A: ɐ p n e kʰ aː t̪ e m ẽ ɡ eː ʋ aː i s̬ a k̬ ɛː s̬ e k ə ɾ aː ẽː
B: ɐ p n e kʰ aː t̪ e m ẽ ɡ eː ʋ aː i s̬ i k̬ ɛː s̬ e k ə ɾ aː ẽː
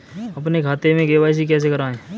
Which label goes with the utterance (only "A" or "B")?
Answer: B